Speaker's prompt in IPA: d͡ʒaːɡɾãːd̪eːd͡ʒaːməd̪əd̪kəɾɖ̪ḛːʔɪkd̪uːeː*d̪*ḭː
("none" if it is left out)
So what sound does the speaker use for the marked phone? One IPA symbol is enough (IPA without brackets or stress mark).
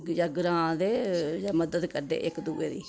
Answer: d̪